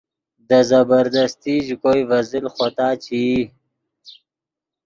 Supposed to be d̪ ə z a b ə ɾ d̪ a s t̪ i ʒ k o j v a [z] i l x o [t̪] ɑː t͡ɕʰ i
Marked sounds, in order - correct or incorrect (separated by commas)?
correct, correct